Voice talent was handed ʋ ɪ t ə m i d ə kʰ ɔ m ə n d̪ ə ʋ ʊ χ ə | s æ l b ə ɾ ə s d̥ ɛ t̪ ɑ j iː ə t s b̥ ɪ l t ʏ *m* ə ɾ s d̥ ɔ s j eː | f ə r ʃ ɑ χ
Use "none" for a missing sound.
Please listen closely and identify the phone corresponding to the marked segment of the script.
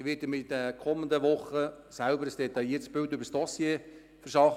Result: b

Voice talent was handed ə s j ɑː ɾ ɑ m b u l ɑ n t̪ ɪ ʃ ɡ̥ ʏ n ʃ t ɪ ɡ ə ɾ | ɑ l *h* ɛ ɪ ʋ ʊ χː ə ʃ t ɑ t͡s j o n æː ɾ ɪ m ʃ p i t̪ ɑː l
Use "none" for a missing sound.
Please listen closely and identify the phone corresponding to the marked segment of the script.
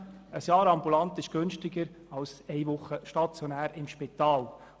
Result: s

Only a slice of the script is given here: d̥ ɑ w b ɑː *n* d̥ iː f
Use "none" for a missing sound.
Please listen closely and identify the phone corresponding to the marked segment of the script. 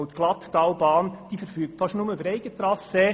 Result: n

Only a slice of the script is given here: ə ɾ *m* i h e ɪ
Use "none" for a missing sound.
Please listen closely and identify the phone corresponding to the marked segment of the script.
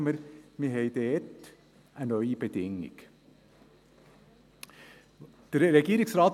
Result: m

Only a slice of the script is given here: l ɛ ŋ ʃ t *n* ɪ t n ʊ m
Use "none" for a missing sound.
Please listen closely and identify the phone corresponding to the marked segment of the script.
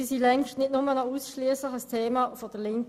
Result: n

